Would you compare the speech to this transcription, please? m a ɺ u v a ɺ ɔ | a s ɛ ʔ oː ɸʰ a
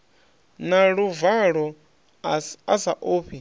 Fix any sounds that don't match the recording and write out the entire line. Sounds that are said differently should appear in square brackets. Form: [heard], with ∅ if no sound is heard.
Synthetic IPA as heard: [n] a ɺ u v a ɺ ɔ | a s [a] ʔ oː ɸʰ [i]